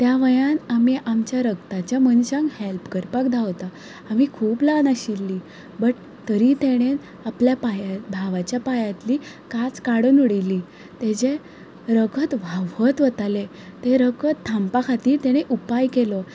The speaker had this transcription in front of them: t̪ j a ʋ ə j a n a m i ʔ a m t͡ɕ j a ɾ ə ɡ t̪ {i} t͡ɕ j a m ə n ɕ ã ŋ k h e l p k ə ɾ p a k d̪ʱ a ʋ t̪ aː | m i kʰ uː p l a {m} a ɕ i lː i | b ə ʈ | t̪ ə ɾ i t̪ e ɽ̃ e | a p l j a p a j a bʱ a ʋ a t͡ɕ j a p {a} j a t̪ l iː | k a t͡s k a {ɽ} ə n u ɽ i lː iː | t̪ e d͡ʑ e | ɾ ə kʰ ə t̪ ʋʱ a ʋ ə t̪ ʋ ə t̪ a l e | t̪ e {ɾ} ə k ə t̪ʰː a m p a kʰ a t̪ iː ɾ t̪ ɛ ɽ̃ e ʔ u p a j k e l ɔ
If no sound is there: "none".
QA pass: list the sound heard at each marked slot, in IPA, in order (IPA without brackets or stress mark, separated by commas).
a, n, a, ɽ, ɾ